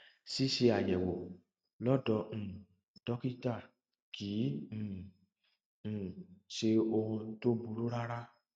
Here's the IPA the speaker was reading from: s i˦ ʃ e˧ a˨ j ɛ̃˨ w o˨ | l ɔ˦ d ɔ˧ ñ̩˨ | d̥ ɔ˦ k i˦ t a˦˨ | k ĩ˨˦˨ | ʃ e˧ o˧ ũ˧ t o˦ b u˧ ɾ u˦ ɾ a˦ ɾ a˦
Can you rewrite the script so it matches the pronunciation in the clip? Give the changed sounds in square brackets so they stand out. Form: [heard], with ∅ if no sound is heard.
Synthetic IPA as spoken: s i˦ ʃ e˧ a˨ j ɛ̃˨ w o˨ | l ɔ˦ d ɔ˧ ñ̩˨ | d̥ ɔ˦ k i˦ t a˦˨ | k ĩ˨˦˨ | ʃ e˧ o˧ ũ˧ t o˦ b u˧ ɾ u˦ ɾ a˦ ɾ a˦